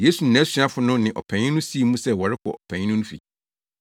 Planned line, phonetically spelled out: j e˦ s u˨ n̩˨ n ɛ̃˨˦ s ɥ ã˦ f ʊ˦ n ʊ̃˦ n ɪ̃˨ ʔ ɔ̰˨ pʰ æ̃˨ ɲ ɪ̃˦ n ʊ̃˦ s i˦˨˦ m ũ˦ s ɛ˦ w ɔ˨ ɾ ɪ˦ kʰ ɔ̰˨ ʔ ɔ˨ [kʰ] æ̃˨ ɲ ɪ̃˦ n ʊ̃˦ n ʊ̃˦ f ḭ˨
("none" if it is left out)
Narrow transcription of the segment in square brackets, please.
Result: pʰ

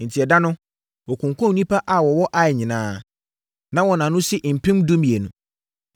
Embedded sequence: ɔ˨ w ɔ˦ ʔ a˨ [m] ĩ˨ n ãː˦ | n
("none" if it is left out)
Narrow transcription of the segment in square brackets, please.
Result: ɲ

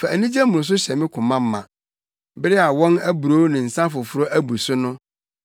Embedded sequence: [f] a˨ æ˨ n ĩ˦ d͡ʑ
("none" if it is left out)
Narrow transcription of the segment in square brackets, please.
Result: f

